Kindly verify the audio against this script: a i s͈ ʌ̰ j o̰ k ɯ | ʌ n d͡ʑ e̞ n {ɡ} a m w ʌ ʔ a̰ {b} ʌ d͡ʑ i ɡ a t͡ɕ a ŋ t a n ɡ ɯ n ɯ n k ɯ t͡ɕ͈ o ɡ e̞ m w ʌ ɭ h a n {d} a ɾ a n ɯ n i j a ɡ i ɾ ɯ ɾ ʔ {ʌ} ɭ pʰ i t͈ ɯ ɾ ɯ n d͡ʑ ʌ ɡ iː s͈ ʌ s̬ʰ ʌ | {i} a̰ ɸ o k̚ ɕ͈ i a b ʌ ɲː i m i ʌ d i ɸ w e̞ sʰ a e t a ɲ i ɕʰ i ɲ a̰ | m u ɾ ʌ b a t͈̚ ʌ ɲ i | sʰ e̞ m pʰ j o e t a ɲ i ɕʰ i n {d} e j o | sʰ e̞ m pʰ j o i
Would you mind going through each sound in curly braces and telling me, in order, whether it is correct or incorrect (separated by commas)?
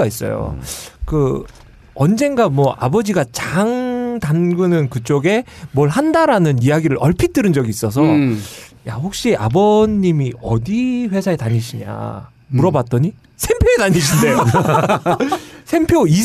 correct, correct, correct, correct, incorrect, correct